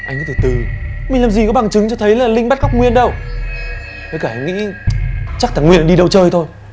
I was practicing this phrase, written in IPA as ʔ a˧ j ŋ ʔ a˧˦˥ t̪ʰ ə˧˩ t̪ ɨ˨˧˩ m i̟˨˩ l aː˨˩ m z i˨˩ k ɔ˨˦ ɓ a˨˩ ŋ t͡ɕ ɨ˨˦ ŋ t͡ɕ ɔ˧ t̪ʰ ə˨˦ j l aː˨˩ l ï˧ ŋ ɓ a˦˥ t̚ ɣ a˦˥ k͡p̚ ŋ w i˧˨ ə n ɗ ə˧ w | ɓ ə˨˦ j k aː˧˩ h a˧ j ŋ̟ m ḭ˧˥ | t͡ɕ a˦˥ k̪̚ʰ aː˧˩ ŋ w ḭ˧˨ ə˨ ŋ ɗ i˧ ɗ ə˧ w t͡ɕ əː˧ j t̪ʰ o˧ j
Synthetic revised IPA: ʔ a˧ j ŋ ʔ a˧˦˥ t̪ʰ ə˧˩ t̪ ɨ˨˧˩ m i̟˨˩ l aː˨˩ m z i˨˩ k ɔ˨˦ ɓ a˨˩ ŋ t͡ɕ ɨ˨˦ ŋ t͡ɕ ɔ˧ t̪ʰ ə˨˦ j l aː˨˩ l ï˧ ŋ ɓ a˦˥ t̚ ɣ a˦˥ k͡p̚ ŋ w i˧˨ ə n ɗ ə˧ w | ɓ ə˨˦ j k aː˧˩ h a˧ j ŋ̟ ŋ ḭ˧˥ | t͡ɕ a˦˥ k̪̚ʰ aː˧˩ ŋ w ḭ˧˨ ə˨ n ɗ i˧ ɗ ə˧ w t͡ɕ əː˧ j t̪ʰ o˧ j